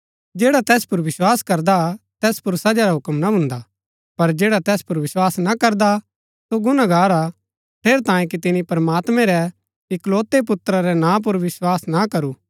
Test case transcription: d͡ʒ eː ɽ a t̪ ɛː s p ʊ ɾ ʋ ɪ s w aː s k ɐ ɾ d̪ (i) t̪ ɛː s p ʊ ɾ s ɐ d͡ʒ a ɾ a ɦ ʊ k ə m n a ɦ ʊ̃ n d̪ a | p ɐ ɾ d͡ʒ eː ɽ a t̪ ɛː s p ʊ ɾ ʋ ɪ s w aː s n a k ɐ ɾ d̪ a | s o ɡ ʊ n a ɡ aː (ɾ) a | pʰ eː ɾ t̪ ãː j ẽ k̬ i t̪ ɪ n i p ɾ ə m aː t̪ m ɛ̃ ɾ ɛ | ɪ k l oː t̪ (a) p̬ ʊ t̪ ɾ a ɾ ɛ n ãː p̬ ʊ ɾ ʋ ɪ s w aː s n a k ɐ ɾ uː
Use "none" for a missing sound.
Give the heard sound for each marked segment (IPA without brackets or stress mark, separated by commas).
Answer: a, ɾ, e